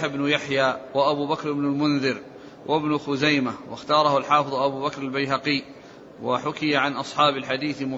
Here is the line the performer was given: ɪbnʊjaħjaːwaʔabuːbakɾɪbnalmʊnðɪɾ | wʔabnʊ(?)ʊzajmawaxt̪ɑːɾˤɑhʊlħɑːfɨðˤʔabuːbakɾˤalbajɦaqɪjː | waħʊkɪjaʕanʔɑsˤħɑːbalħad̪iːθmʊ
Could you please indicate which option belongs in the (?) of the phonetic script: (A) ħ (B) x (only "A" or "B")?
B